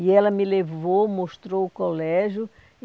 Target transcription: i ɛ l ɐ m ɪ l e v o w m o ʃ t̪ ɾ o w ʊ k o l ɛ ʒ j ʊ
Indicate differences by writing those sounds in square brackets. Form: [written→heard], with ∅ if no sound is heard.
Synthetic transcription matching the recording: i ɛ l ɐ m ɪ l e v o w m o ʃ t̪ ɾ o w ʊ k o l ɛ ʒ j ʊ